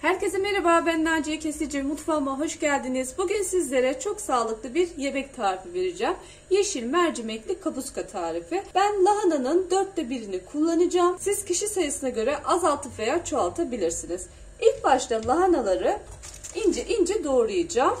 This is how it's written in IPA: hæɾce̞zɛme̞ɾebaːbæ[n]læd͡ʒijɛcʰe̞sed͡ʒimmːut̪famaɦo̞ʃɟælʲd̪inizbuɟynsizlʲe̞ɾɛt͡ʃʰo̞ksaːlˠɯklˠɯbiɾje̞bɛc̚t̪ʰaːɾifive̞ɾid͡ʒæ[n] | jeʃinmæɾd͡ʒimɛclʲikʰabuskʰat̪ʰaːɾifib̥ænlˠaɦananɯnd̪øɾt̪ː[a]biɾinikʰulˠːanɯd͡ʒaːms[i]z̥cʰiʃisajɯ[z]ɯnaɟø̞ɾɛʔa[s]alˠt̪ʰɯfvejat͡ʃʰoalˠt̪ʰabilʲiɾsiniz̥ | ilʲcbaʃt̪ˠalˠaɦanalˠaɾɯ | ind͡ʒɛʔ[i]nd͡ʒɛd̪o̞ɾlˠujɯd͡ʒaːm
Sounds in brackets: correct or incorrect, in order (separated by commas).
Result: correct, incorrect, incorrect, correct, incorrect, incorrect, correct